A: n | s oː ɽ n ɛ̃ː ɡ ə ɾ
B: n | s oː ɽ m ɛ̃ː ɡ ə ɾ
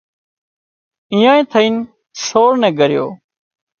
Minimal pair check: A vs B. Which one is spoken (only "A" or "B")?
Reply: A